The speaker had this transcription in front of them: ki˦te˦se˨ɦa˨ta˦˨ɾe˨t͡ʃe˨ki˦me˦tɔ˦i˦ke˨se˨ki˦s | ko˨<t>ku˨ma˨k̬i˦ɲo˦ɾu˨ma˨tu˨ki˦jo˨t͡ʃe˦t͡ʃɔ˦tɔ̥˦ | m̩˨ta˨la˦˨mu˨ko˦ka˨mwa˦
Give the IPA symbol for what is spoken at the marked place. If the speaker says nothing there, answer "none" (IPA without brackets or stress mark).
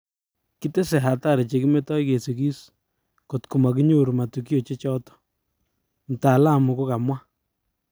t